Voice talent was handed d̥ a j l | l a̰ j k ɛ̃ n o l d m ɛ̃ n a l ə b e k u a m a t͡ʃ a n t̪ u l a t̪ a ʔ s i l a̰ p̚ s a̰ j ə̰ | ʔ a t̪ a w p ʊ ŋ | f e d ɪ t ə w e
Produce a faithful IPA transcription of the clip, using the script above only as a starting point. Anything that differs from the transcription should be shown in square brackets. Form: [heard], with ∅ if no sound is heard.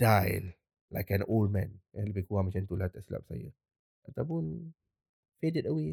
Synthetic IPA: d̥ a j l | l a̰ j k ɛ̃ n o l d m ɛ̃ n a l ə b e k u a m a t͡ʃ a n t̪ u l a t̪ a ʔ s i l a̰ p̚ s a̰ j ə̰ | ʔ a t̪ a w p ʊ [n] | f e d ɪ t ə w e